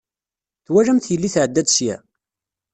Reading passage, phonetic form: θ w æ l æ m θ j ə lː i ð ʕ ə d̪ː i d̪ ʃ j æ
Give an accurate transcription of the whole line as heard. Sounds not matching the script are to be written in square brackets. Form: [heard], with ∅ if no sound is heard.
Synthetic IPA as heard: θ w æ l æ m θ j ə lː i [θ] ʕ ə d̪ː [æ] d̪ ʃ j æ